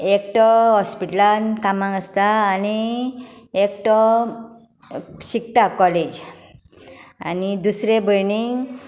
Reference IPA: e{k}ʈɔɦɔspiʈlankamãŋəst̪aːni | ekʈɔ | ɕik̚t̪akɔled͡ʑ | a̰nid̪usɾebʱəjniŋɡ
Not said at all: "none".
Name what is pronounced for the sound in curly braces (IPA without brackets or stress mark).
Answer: k